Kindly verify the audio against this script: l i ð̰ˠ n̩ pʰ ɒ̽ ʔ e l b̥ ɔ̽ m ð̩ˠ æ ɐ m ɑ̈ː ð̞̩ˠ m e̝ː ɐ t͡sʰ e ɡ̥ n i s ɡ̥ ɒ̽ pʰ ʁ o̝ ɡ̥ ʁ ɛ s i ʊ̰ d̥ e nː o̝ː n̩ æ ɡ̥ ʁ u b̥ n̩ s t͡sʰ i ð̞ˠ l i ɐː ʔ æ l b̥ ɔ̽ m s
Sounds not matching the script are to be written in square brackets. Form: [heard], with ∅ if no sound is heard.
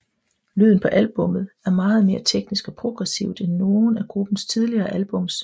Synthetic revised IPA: l [y] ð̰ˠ n̩ pʰ ɒ̽ ʔ [æ] l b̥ ɔ̽ m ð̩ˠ æ ɐ m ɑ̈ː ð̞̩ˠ m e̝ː ɐ t͡sʰ e ɡ̥ n i s ɡ̥ ɒ̽ pʰ ʁ o̝ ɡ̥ ʁ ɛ s i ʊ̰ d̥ e nː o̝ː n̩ æ ɡ̥ ʁ u b̥ n̩ s t͡sʰ i ð̞ˠ l i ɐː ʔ æ l b̥ ɔ̽ m s